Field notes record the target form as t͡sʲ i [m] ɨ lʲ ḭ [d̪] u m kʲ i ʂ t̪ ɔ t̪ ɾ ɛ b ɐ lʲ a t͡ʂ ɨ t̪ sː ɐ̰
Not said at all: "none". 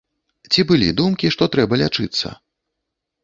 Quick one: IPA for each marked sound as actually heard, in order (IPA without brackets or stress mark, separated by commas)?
b, d̪